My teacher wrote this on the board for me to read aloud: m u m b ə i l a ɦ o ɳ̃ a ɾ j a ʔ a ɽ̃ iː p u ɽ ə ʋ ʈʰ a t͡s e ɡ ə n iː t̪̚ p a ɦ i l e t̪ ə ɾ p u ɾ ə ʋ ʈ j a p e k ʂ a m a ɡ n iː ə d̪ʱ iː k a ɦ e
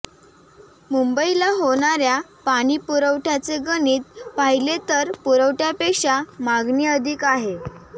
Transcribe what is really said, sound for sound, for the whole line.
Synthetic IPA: m u m b ə i l a ɦ o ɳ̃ a ɾ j a p a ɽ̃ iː p u ɾ ə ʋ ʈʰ a t͡s e ɡ ə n iː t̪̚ p a ɦ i l e t̪ ə ɾ p u ɾ ə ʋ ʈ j a p e k ʂ a m a ɡ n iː ə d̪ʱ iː k a ɦ e